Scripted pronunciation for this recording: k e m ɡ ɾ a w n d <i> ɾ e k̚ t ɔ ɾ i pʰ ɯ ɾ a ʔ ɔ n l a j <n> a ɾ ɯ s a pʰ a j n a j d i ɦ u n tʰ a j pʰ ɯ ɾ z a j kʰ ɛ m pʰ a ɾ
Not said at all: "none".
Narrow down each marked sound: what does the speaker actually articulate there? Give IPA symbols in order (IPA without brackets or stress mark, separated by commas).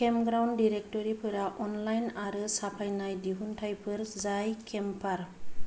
i, n